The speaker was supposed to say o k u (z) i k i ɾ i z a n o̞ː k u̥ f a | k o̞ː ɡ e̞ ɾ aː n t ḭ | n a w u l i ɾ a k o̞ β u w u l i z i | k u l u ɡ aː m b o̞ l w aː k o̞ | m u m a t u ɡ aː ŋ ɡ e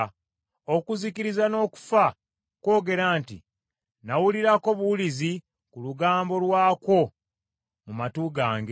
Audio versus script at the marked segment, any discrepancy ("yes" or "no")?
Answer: no